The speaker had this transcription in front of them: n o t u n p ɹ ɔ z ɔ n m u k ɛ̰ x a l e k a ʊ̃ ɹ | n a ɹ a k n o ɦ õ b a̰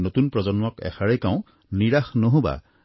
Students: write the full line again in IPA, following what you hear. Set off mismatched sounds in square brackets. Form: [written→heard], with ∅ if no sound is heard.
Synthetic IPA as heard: n o t u n p ɹ ɔ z ɔ n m [u→ɔ] k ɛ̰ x a [l→ɹ] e k a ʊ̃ [ɹ→∅] | n [a→i] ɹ a [k→x] n o ɦ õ b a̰